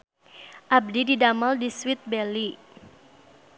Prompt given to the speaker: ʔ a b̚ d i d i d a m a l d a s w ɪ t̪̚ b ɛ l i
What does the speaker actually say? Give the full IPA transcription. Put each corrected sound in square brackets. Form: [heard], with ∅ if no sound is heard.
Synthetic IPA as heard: ʔ a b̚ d i d i d a m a l d [i] s w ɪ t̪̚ b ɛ l i